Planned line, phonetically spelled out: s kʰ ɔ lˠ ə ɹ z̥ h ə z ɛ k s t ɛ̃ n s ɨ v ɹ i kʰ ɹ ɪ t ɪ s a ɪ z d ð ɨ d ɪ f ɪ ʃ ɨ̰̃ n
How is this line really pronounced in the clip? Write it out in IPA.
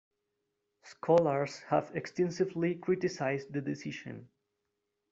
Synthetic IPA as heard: s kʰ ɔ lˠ ə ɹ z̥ h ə v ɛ k s t ɛ̃ n s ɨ v l i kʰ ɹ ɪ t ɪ s a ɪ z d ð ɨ d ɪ s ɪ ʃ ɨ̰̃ n